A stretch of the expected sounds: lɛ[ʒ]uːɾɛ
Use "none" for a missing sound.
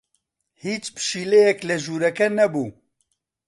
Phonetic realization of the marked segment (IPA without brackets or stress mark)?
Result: ʒ